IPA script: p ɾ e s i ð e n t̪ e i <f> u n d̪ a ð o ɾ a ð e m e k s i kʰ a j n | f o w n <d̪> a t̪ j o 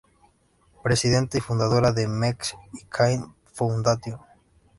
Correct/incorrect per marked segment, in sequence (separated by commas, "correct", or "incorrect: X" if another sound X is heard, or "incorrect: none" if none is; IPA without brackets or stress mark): correct, correct